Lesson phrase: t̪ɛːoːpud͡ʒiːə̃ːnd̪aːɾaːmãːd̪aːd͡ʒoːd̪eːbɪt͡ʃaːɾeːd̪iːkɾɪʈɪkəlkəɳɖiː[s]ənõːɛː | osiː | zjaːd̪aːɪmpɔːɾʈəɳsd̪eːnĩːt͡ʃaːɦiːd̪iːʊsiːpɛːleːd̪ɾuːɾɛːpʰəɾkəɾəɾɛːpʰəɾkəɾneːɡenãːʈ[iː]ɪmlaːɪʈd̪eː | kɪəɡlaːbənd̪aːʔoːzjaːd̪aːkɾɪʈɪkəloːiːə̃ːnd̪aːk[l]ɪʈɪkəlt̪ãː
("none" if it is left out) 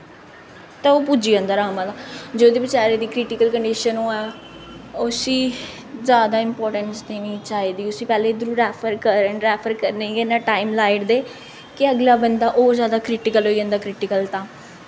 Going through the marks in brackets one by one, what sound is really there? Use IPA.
ʃ, aː, ɾ

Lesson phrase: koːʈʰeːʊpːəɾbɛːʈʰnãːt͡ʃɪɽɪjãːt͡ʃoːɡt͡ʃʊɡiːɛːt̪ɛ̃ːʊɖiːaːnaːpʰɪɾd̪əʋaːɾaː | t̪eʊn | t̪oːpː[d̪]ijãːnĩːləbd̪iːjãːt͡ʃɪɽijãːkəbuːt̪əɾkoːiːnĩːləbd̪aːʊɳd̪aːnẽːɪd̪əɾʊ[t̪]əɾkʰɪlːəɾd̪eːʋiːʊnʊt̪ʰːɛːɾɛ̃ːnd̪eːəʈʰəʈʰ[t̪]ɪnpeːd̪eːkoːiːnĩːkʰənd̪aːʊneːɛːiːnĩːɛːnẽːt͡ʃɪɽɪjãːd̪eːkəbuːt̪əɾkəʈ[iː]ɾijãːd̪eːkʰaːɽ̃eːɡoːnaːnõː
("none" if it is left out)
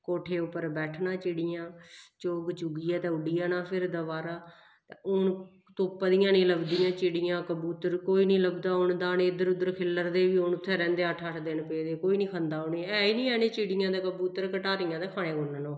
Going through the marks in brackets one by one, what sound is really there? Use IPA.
d̪, d̪, d̪, aː

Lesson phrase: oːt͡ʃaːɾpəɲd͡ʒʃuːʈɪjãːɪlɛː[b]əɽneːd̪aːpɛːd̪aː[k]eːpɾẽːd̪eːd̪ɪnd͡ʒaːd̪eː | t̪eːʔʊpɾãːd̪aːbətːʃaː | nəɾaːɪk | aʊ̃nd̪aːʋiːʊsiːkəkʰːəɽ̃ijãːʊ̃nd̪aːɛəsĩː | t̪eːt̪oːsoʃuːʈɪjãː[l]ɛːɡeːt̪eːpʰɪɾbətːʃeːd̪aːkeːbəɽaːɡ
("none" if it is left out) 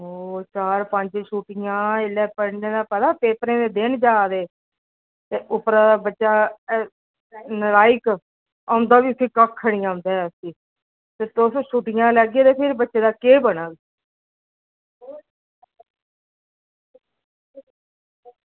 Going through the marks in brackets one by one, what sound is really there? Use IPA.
p, p, l

